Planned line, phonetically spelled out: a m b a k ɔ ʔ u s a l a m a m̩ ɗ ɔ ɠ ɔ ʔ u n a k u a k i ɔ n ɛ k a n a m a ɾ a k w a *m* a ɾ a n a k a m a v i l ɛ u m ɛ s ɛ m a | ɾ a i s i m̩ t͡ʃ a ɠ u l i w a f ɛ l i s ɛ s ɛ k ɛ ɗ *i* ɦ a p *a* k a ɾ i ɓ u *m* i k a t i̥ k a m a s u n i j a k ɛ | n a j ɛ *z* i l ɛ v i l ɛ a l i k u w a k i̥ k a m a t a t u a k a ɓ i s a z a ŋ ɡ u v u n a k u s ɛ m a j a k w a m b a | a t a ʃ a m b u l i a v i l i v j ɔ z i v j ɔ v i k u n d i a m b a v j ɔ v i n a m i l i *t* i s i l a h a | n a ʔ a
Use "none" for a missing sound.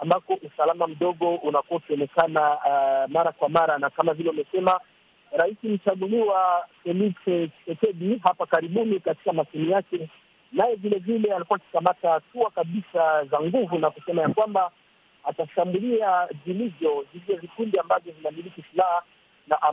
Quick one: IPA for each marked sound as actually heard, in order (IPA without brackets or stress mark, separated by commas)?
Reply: m, i, a, n, v, k